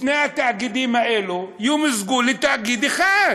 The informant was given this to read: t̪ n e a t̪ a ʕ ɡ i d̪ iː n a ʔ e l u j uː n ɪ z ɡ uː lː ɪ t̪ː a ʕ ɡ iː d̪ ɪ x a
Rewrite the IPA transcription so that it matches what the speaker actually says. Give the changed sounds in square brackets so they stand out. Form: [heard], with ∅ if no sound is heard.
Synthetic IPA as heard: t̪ n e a t̪ a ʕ ɡ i d̪ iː [m] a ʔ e l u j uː [m] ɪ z ɡ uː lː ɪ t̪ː a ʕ ɡ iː d̪ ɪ x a